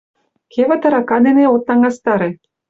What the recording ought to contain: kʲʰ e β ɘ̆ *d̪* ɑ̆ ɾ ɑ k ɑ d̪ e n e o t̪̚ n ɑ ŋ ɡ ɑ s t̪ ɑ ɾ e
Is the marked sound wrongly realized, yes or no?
yes